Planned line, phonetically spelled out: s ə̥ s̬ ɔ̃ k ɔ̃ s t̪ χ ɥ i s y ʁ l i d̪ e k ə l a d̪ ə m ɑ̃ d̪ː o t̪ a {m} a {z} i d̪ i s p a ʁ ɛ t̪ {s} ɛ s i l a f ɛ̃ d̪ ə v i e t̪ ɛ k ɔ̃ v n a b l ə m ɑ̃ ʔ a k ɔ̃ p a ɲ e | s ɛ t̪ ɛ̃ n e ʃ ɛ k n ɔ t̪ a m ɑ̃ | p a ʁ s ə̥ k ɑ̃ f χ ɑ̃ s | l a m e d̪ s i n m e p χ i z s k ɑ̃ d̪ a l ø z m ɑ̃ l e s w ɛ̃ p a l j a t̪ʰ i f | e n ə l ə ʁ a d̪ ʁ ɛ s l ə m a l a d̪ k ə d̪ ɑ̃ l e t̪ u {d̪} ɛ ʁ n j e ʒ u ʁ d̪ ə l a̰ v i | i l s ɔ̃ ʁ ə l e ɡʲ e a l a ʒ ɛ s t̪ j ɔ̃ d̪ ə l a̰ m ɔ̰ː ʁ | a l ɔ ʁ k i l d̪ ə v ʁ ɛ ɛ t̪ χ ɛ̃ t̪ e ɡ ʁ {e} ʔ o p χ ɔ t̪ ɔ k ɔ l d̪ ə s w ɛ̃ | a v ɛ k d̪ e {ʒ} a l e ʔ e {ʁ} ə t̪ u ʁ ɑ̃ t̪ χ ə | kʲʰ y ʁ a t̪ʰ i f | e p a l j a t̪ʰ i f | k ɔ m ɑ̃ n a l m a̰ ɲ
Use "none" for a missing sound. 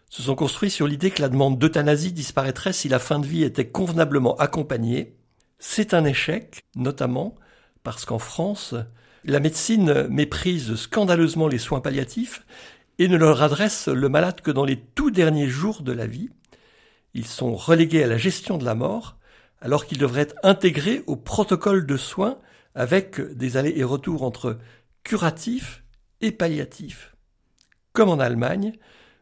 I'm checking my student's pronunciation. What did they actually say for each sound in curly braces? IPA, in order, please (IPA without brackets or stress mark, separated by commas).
n, z, χ, d̪, e, z, ʁ